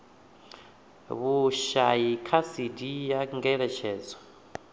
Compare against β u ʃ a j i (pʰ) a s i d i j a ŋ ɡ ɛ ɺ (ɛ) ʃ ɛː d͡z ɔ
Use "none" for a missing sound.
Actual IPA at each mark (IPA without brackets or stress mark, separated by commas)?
kʰ, ɛ